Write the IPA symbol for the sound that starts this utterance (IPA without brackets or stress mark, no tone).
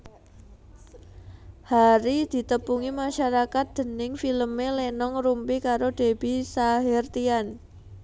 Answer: h